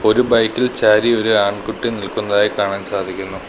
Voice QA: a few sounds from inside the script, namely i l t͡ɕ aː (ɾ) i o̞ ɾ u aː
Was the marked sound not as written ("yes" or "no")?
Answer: no